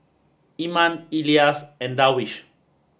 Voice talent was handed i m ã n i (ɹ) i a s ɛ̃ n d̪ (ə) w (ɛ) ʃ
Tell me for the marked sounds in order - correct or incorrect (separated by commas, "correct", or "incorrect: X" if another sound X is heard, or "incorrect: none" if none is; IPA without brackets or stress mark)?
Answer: incorrect: l, incorrect: a, incorrect: i